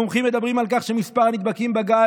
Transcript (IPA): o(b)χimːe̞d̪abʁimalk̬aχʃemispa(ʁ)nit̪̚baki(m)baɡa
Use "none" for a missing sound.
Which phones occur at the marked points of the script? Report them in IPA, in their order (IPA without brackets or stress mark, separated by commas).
m, ʁ, m